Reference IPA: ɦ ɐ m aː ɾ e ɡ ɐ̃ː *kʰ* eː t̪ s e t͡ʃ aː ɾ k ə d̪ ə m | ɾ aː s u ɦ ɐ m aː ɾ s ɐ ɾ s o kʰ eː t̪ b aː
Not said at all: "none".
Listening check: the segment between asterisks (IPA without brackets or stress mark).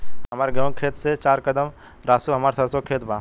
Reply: kʰ